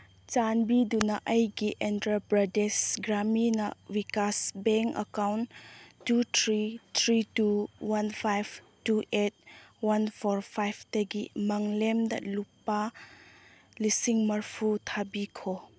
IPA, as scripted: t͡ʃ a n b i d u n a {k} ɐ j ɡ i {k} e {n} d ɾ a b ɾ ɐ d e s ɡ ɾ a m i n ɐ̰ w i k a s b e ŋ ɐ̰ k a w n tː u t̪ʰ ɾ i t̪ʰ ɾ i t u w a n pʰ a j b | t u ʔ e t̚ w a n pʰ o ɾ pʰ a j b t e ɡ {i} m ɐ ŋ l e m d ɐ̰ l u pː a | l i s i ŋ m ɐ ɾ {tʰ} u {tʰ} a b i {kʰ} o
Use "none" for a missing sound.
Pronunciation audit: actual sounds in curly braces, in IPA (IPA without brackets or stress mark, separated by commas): ʔ, ʔ, n, i, pʰ, tʰ, kʰ